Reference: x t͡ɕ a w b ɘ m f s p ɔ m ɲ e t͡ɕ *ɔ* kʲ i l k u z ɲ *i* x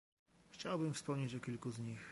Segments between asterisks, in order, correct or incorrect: correct, correct

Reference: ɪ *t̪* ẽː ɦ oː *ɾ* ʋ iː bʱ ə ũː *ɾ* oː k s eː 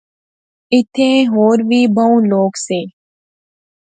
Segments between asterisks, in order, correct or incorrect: incorrect: t̪ʰ, correct, incorrect: l

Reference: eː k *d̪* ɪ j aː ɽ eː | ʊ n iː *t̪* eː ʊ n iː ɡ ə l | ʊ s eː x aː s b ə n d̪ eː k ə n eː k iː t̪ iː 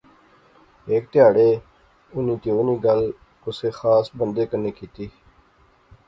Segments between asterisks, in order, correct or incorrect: incorrect: t̪, correct

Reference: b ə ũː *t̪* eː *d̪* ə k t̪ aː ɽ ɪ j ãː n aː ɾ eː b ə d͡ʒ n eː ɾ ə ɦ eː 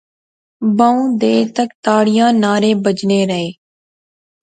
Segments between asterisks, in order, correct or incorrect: incorrect: d̪, incorrect: t̪

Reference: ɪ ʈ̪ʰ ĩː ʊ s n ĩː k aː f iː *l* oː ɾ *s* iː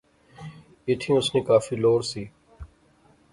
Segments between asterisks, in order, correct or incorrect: correct, correct

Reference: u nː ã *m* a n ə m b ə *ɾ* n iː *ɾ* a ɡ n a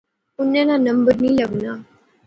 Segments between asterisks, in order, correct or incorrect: incorrect: n, correct, incorrect: l

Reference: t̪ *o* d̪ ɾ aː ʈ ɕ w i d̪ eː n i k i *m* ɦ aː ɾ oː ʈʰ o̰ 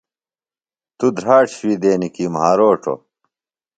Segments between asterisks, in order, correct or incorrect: incorrect: u, correct

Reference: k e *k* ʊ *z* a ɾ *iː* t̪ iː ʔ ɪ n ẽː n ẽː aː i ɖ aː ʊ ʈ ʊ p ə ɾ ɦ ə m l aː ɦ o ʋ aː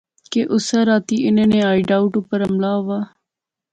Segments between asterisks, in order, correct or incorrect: incorrect: ʔ, incorrect: s, incorrect: aː

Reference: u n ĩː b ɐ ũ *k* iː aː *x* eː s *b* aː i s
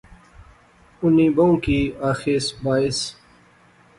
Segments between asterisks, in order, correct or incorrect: correct, correct, correct

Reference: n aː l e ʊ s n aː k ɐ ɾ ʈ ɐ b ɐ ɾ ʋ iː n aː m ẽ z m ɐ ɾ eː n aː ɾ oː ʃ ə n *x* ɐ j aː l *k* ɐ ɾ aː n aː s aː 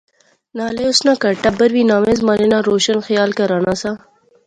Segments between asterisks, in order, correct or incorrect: correct, correct

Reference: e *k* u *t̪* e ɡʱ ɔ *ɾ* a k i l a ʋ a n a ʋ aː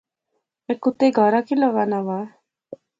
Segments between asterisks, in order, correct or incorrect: correct, correct, correct

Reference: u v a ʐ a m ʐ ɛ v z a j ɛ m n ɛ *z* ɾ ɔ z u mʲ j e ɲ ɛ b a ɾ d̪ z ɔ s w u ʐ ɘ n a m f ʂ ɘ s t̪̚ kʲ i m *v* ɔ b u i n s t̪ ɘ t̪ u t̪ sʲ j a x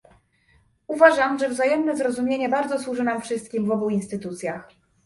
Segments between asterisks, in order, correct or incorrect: correct, correct

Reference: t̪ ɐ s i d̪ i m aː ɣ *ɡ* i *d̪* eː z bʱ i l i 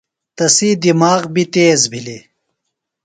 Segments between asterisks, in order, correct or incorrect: incorrect: b, incorrect: t̪

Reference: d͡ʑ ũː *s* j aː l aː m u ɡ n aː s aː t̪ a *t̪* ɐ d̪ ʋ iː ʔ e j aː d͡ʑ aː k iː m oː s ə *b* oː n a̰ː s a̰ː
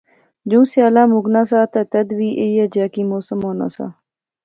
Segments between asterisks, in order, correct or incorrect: correct, correct, incorrect: m

